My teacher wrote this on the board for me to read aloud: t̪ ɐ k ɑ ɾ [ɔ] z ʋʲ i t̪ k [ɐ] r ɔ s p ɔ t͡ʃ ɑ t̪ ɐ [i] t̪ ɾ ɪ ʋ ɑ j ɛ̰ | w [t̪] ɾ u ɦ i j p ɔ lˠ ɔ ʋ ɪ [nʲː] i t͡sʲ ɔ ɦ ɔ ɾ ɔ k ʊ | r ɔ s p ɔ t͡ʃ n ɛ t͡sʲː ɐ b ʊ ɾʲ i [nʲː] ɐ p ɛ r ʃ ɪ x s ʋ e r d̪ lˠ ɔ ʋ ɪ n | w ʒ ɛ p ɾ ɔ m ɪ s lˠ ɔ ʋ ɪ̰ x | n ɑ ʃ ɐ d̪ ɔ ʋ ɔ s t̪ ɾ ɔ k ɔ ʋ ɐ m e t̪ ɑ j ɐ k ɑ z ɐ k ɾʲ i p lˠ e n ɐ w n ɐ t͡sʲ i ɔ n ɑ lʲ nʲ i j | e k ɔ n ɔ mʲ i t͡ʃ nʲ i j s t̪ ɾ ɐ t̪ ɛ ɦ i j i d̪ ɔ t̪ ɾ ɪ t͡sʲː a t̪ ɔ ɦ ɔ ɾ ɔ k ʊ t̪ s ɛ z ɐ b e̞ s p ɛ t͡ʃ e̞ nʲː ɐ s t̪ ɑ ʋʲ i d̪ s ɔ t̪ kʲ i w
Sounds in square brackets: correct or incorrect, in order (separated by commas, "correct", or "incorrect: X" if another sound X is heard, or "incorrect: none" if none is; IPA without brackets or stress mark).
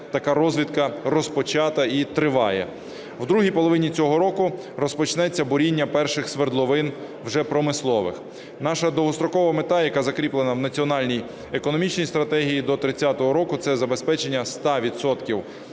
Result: correct, correct, correct, incorrect: d̪, incorrect: nʲ, correct